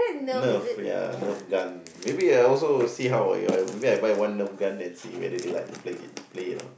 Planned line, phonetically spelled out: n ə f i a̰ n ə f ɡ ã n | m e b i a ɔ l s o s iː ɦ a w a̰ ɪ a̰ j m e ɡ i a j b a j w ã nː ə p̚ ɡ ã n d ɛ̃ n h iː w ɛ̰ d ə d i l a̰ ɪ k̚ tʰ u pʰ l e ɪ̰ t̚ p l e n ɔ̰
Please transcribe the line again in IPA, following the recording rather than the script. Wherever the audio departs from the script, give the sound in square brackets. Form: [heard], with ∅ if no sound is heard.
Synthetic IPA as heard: n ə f [j] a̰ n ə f ɡ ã n | m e b i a ɔ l s o s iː ɦ a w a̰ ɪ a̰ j m e [b] i a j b a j w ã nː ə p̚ ɡ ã n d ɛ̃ n [s] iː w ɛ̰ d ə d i l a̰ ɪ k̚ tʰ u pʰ l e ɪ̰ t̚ p l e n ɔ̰